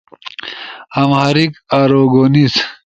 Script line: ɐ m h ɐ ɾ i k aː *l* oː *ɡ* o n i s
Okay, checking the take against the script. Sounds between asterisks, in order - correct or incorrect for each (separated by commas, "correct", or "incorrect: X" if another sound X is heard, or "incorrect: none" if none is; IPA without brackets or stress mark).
incorrect: ɾ, correct